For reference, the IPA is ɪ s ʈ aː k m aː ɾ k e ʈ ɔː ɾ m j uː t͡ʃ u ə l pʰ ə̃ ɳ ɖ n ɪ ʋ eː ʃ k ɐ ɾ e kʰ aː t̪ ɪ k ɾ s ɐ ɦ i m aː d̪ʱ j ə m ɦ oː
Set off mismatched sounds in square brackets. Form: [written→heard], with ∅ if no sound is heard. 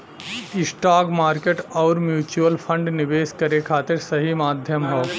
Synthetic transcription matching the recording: ɪ s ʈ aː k m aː ɾ k e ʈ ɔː ɾ m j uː t͡ʃ u ə l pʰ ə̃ ɳ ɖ n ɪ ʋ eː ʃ k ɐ ɾ e kʰ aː t̪ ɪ [k→∅] ɾ s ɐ ɦ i m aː d̪ʱ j ə m ɦ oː